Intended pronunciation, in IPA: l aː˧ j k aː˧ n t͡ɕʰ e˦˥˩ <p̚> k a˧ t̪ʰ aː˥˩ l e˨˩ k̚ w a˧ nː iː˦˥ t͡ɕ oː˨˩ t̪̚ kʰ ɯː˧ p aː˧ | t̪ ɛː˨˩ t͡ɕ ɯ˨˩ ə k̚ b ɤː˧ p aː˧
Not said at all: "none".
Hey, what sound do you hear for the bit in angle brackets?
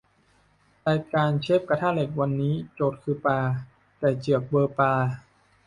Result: p̚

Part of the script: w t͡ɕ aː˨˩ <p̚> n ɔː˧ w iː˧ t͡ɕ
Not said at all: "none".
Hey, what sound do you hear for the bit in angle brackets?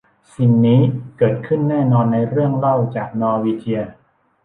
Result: k̚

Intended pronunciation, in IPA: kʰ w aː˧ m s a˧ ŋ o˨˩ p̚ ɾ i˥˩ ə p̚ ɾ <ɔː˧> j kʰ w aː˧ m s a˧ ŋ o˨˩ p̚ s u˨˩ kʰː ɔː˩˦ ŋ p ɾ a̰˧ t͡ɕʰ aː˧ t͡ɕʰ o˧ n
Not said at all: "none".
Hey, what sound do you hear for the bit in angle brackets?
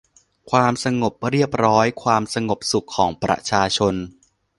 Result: ɔː˦˥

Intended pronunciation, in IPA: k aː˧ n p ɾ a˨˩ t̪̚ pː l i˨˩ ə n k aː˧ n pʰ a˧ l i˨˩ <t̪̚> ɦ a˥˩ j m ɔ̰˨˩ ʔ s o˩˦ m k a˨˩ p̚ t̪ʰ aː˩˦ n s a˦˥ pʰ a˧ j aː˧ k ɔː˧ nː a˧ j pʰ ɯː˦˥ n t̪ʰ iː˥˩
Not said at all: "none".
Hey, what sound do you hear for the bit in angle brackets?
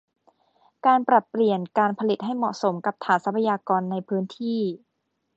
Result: t̪̚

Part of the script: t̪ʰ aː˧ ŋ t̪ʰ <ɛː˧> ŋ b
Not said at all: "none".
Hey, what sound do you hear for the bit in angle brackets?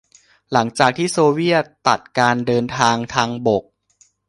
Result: aː˧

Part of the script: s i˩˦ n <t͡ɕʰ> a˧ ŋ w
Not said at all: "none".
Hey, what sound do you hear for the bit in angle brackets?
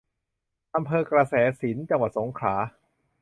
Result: t͡ɕ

